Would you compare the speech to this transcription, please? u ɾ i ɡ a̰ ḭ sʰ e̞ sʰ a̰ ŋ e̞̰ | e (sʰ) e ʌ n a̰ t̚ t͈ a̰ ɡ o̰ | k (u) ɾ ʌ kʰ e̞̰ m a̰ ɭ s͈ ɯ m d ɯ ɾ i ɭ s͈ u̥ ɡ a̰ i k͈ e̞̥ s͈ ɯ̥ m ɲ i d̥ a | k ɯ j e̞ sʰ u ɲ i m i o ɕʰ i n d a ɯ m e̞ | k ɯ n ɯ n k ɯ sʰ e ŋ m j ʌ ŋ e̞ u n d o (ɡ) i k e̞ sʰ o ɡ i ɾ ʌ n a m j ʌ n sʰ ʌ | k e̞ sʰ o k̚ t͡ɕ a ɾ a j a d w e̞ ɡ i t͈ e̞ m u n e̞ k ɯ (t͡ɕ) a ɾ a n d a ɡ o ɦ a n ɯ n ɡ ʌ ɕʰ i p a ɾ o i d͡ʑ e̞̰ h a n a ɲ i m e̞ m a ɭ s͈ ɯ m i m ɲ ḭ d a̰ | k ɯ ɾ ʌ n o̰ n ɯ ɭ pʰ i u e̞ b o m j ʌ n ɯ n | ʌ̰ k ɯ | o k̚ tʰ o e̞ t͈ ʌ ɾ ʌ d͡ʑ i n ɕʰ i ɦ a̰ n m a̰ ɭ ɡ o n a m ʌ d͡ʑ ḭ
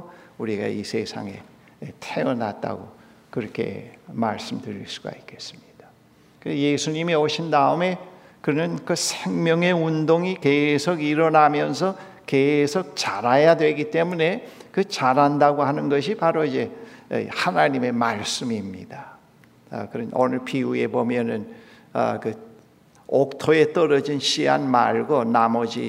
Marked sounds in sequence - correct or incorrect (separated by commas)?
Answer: incorrect, incorrect, incorrect, correct